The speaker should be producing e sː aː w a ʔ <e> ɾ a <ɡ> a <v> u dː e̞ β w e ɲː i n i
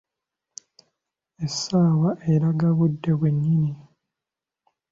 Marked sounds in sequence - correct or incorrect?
correct, correct, incorrect

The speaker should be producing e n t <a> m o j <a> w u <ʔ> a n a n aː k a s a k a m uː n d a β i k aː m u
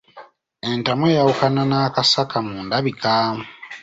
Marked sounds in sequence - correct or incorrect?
correct, correct, incorrect

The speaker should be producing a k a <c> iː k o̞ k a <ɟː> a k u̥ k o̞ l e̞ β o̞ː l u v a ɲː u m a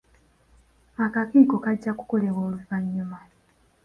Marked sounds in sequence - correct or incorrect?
incorrect, correct

